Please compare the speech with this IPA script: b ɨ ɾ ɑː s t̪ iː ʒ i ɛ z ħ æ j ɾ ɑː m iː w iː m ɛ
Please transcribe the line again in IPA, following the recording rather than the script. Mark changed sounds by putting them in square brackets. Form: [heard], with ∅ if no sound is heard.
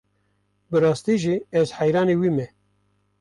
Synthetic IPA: b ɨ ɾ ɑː s t̪ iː ʒ i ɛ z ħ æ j ɾ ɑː [n] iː w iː m ɛ